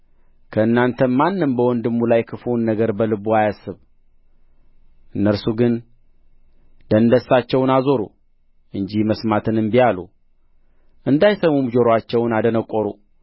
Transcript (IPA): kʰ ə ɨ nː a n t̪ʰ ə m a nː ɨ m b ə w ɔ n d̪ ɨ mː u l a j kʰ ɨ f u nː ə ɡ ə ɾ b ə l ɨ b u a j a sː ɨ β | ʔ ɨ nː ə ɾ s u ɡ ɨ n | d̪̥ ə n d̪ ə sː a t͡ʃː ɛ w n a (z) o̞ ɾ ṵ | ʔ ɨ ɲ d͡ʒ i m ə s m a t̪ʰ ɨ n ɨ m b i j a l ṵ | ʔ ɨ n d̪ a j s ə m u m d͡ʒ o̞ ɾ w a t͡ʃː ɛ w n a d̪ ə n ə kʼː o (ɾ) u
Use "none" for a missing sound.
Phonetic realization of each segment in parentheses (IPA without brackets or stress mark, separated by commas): z, ɾ